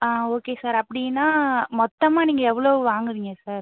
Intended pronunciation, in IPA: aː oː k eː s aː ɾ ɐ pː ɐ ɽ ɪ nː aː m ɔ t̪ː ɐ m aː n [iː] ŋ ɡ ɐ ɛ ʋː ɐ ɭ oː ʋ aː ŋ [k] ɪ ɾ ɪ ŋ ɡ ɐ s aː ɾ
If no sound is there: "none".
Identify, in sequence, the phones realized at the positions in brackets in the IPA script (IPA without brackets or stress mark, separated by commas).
iː, ɡ